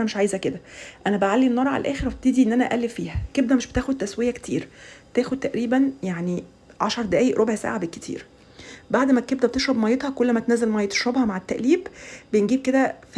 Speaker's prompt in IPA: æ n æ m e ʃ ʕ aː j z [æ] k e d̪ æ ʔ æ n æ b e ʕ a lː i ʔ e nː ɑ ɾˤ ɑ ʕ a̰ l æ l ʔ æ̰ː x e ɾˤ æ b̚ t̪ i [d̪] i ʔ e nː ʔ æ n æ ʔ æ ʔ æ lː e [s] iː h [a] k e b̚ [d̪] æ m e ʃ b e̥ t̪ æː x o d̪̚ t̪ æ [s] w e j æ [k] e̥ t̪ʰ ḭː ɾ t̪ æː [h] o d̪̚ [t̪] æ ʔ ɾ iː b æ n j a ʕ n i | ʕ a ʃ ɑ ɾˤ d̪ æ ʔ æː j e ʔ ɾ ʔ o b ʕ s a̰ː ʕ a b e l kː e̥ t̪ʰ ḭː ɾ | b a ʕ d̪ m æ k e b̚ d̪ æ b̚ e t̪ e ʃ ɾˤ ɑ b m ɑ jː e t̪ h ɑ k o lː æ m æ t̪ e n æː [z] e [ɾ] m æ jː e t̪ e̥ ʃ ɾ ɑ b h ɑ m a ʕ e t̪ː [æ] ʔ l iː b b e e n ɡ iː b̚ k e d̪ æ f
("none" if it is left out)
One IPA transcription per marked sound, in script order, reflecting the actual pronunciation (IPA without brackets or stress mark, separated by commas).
æ, d̪, f, æ, d̪, s, k, x, t̪, z, l, æ